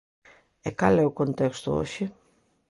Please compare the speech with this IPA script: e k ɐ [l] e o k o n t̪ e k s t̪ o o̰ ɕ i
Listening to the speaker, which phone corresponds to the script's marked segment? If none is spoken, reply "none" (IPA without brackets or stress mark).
l